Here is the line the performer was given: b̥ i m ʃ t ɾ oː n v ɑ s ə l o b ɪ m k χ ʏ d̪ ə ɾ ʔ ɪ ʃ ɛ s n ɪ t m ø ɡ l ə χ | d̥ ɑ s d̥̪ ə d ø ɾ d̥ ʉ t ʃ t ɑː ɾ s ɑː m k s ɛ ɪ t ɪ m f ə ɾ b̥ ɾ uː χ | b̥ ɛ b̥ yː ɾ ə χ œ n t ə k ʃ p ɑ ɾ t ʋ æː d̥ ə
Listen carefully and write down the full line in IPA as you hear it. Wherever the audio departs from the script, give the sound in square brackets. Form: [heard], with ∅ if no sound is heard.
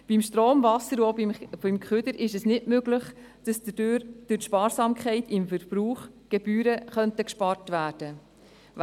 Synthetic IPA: b̥ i m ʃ t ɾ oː [m] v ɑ s ə [ɾ] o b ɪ m k χ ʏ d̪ ə ɾ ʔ ɪ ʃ ɛ s n ɪ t m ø ɡ l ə χ | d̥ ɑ s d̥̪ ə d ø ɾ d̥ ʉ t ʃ [p] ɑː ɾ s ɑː m k [χ] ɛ ɪ t ɪ m f ə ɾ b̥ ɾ uː χ | [ɡ̥] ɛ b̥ yː ɾ ə χ œ n t ə k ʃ p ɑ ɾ t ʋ æː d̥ ə